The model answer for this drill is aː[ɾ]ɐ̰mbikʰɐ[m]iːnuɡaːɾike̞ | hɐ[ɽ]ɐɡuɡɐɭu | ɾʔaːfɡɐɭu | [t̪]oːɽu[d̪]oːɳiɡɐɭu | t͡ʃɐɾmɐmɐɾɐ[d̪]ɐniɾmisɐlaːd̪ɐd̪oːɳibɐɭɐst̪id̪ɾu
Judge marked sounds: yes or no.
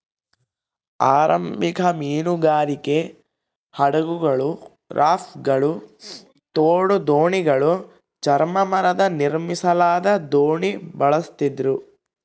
yes, yes, yes, yes, yes, yes

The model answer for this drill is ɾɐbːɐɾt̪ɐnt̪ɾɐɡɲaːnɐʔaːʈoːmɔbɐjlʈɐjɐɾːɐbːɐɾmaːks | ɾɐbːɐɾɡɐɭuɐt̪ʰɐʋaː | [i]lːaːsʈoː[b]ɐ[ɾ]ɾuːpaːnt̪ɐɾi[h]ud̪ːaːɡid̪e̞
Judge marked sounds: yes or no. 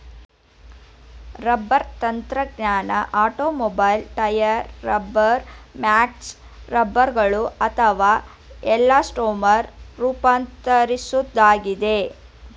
no, no, yes, no

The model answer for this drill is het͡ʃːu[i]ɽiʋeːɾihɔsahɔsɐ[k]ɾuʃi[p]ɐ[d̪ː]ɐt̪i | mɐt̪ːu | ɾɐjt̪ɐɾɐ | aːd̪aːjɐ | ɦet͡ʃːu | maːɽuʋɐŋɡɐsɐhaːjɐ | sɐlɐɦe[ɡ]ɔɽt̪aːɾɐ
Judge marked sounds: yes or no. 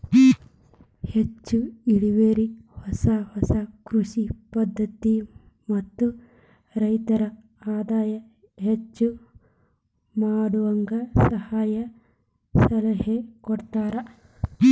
yes, yes, yes, yes, no

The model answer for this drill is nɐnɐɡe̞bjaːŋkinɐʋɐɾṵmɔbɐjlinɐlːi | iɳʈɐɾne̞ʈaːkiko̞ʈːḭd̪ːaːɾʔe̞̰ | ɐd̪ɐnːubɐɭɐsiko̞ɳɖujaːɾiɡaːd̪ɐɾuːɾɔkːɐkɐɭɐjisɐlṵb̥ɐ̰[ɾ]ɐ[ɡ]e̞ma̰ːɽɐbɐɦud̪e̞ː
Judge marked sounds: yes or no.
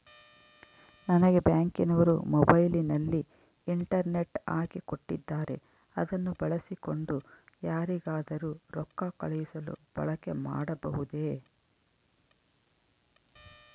no, no

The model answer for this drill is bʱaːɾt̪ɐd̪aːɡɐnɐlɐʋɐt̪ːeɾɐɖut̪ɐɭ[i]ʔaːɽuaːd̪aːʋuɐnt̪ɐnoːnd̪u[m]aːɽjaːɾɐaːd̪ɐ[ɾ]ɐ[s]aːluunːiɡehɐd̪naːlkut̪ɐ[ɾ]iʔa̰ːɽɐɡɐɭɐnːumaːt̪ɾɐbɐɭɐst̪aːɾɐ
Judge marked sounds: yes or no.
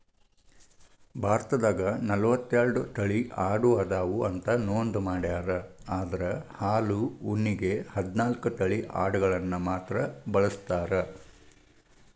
yes, yes, yes, no, no

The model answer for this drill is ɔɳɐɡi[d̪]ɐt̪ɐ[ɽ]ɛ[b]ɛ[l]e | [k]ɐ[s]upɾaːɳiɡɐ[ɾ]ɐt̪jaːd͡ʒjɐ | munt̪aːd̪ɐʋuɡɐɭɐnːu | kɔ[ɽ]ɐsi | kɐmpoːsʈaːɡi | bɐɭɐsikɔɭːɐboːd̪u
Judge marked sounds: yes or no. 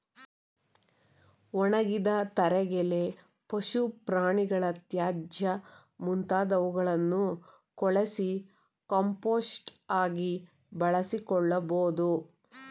yes, no, no, yes, no, no, no, no

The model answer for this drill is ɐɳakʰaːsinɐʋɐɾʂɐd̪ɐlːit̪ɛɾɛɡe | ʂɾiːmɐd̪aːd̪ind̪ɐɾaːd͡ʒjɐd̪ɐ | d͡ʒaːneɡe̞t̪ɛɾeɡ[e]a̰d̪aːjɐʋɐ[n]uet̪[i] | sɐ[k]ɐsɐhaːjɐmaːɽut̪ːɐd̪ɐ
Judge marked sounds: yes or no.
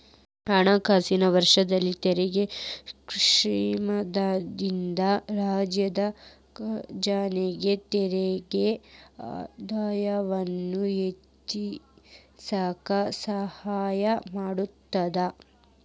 yes, no, yes, yes

